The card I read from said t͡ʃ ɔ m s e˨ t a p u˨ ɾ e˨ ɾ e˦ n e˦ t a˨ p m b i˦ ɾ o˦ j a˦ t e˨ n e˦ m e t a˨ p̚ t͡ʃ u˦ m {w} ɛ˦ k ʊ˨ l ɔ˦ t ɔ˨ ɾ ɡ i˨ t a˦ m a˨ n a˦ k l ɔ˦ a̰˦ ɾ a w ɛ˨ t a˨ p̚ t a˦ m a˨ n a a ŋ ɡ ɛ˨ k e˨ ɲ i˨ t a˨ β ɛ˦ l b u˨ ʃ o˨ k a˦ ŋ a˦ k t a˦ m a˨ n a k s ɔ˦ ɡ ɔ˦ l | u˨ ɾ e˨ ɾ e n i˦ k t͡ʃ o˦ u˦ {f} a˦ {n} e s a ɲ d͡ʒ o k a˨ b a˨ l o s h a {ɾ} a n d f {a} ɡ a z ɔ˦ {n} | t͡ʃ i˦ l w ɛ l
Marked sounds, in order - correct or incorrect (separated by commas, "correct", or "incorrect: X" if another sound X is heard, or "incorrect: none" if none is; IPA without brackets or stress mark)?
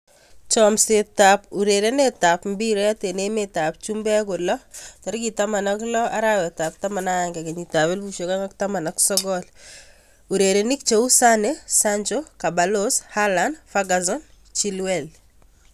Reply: incorrect: b, incorrect: s, correct, incorrect: l, correct, correct